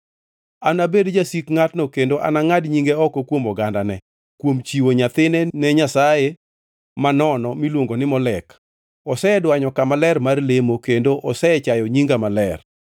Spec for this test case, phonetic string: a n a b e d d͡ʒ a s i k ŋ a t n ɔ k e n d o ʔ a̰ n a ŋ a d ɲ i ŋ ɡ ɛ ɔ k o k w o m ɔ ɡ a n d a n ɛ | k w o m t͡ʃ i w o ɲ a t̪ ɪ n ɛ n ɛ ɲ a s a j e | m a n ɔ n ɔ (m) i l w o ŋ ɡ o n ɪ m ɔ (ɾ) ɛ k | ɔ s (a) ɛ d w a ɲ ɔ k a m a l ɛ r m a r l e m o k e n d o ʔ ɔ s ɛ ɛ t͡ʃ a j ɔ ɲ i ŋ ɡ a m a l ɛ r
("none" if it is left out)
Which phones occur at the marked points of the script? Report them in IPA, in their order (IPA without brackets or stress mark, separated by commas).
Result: m, l, ɛ